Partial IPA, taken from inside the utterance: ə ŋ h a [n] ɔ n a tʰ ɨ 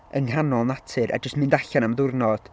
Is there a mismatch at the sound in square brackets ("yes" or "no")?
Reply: no